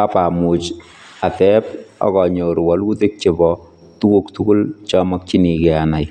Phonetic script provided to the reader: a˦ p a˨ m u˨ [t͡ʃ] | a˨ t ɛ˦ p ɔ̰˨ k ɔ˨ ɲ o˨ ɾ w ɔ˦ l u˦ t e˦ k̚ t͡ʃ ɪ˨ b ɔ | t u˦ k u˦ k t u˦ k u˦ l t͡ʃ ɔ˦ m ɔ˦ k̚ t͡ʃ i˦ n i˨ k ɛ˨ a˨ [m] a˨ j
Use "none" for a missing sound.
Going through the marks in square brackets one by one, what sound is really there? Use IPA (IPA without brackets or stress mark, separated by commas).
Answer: t͡ʃ, n